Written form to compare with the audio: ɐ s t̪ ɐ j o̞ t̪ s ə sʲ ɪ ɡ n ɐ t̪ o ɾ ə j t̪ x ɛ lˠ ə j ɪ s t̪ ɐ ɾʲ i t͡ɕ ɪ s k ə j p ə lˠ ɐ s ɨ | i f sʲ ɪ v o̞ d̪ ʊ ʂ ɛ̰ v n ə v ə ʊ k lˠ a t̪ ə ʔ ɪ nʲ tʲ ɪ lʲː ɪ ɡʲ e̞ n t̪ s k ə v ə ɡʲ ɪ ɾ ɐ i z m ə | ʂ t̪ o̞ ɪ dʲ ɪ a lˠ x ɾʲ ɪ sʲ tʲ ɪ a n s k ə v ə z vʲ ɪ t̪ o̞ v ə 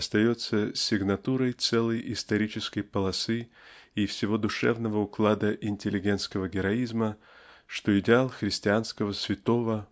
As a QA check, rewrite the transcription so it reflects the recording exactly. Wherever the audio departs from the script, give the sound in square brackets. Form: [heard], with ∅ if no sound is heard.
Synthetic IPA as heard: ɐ s t̪ ɐ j o̞ t̪ s ə sʲ ɪ ɡ n ɐ t̪ [u] ɾ ə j t̪ [s] ɛ lˠ ə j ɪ s t̪ ɐ ɾʲ i t͡ɕ ɪ s k ə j p ə lˠ ɐ s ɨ | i f sʲ ɪ v o̞ d̪ ʊ ʂ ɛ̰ v n ə v ə ʊ k lˠ a [d̪] ə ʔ ɪ nʲ tʲ ɪ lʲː ɪ ɡʲ e̞ n t̪ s k ə v ə ɡʲ ɪ ɾ ɐ i z m ə | ʂ t̪ o̞ ɪ dʲ ɪ a lˠ x ɾʲ ɪ sʲ tʲ ɪ a n s k ə v ə [s] vʲ ɪ t̪ o̞ v ə